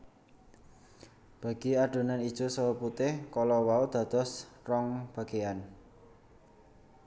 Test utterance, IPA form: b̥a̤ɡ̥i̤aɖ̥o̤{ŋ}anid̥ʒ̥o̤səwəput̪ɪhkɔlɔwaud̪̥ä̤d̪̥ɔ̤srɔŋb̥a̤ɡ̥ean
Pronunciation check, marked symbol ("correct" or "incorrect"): incorrect